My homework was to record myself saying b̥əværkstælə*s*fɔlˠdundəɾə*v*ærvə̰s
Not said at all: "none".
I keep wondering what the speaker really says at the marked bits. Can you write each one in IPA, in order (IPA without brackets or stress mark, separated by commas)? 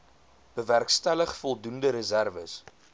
χ, z